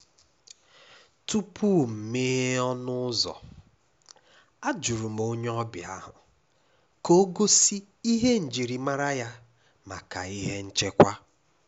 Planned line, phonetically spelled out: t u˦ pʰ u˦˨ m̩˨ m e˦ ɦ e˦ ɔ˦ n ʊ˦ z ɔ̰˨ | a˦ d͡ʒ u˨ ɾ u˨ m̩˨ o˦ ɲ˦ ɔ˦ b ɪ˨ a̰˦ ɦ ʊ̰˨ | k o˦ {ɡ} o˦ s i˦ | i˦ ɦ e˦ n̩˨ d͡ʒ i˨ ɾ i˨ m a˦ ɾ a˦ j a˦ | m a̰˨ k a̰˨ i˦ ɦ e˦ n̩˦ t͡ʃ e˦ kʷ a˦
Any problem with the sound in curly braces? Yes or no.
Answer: no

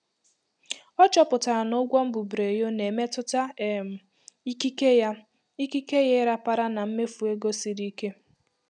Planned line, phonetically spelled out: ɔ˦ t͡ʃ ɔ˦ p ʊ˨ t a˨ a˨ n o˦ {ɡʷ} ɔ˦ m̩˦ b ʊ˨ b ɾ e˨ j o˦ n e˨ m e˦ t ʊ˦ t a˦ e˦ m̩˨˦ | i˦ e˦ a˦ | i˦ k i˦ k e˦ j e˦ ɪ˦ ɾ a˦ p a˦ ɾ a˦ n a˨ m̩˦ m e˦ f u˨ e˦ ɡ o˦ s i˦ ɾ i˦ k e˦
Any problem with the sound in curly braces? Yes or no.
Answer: no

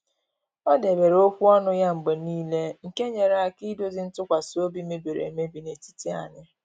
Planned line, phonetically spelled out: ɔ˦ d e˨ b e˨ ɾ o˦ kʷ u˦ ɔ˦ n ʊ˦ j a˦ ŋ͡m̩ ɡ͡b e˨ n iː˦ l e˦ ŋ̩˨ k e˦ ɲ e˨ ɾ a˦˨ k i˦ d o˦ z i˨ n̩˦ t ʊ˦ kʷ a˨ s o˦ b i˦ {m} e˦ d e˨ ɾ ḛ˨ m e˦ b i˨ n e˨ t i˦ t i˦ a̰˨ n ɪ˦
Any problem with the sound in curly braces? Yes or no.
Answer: no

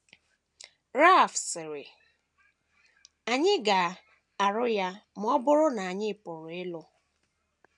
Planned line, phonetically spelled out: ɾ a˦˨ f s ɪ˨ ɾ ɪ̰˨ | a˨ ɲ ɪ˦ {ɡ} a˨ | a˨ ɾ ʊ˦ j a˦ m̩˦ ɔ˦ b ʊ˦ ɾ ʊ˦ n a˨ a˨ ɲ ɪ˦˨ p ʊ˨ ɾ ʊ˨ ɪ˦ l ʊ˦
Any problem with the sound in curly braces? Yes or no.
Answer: no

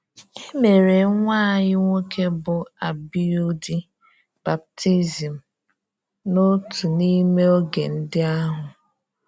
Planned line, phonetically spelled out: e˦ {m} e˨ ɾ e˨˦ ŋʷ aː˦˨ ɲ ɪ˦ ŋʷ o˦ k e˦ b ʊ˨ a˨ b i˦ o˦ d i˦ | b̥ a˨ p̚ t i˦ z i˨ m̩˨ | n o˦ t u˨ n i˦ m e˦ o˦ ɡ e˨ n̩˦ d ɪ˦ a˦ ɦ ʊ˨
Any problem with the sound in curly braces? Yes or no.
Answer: no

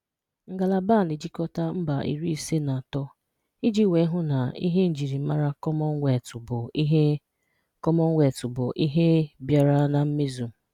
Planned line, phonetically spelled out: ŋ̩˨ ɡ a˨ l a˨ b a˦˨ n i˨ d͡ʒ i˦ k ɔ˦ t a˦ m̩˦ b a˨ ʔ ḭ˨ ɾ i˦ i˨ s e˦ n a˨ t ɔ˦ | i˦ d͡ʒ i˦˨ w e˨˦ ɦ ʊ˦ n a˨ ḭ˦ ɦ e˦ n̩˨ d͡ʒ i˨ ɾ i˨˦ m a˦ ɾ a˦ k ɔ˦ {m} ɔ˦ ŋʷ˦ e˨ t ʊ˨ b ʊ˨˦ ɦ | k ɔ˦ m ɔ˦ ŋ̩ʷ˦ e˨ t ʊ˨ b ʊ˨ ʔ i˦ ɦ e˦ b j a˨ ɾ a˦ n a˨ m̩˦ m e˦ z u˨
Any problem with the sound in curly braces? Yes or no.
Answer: no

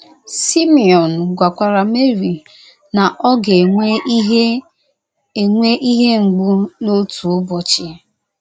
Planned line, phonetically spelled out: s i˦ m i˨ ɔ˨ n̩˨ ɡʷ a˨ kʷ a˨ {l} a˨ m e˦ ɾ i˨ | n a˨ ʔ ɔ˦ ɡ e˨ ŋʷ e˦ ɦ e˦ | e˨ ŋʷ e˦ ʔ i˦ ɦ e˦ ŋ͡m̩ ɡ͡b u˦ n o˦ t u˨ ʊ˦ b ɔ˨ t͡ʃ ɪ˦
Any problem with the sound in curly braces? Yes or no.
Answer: yes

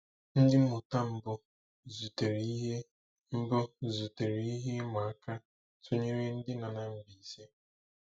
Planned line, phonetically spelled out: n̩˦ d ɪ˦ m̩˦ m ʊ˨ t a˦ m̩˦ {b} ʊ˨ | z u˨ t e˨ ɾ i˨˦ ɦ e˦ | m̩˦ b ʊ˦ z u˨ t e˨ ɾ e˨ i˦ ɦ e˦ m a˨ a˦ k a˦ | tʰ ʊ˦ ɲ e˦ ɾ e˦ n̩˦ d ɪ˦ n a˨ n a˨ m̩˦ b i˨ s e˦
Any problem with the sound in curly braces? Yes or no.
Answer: no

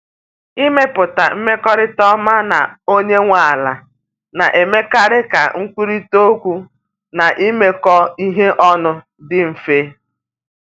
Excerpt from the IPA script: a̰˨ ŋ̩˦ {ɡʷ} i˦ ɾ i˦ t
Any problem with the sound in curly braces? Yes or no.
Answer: yes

